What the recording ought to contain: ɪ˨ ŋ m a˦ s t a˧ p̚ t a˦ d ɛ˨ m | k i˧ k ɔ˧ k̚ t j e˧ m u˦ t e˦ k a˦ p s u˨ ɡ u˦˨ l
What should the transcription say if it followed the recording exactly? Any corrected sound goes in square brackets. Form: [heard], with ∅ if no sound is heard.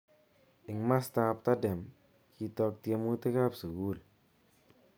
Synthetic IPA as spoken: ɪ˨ ŋ m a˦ s t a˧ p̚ t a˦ d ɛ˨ m | k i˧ [t] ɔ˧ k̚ t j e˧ m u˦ t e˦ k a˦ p s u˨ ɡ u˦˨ l